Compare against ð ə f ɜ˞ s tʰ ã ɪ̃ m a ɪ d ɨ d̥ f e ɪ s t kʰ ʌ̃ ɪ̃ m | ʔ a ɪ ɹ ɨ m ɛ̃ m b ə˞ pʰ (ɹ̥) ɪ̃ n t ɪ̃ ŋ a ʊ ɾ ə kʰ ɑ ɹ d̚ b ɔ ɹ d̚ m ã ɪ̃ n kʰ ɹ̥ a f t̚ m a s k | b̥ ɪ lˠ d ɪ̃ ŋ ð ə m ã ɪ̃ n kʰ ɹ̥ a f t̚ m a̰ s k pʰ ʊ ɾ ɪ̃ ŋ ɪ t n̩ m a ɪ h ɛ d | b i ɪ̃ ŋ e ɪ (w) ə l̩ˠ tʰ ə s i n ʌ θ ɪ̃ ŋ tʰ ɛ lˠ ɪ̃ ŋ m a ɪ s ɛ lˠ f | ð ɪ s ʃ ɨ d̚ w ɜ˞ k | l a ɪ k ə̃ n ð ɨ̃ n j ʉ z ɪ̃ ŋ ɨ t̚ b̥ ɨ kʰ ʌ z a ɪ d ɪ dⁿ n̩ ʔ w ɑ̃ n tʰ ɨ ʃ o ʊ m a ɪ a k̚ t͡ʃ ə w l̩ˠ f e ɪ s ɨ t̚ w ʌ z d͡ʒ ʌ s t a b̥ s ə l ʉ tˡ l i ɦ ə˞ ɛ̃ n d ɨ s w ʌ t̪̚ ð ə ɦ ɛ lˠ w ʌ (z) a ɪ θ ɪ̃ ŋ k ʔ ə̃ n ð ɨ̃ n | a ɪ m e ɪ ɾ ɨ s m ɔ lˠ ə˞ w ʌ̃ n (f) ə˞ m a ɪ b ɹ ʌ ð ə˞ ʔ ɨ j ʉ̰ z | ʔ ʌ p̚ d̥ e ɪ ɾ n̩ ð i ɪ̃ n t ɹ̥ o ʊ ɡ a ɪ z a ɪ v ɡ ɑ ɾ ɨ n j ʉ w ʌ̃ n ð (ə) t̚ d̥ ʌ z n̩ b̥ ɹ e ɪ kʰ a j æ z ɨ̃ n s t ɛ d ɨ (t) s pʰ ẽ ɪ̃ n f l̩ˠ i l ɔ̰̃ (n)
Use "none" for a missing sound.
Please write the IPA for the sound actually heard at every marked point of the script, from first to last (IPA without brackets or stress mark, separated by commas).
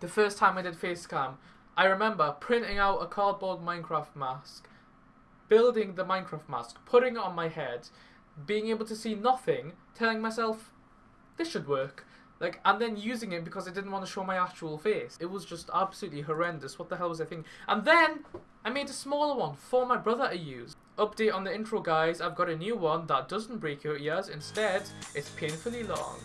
ɹ̥, b, z, f, ə, t, ŋ